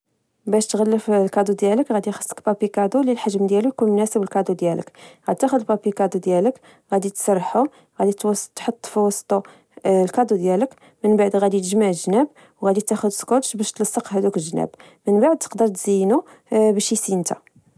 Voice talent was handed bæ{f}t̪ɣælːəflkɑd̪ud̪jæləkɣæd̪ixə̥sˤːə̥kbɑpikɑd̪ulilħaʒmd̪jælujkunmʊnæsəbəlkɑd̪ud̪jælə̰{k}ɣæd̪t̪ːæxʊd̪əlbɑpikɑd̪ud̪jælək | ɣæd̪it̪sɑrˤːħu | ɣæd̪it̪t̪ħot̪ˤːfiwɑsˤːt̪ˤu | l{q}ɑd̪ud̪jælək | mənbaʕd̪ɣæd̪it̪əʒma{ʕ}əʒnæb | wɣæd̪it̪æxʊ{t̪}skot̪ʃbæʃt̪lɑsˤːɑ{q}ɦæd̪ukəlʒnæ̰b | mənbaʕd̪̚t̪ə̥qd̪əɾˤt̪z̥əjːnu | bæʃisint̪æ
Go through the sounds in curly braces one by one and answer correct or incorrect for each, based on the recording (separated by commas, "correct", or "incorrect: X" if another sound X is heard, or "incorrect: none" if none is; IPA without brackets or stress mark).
incorrect: ʃ, correct, incorrect: k, correct, incorrect: d̪, correct